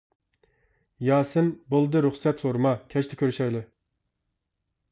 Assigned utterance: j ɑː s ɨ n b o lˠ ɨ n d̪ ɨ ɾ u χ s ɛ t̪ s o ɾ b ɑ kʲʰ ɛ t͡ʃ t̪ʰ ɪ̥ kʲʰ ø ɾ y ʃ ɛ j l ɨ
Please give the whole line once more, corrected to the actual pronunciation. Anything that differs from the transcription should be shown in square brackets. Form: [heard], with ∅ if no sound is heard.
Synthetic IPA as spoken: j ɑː s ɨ n b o lˠ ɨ [∅] d̪ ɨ ɾ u χ s ɛ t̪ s o ɾ [m] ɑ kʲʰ ɛ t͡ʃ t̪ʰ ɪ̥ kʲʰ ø ɾ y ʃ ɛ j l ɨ